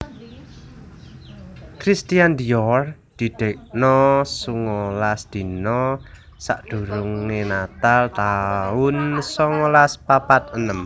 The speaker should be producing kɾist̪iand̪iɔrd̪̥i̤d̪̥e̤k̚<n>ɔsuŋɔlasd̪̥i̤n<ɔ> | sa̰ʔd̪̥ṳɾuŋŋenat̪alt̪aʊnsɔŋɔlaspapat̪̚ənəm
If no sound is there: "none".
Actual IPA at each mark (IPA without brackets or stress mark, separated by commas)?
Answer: n, ɔ